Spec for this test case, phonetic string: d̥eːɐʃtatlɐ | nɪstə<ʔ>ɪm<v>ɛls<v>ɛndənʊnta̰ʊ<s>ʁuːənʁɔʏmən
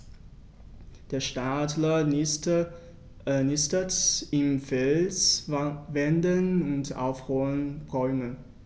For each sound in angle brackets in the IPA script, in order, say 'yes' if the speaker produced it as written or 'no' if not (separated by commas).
no, no, yes, no